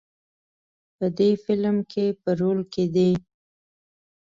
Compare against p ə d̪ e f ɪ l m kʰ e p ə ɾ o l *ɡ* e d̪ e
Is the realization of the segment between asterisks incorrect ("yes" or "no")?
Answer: yes